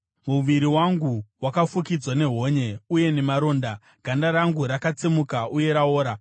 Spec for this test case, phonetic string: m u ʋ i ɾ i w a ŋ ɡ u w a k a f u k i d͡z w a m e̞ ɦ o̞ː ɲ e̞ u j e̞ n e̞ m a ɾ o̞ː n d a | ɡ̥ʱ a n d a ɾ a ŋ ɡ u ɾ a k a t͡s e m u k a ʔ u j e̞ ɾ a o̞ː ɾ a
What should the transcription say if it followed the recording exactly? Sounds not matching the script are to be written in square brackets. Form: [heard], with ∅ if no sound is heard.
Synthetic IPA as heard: m u ʋ i ɾ i w a ŋ ɡ u w a k a f u k i d͡z w a [n] e̞ ɦ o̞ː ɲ e̞ u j e̞ n e̞ m a ɾ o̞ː n d a | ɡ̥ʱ a n d a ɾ a ŋ ɡ u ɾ a k a t͡s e m u k a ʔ u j e̞ ɾ a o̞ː ɾ a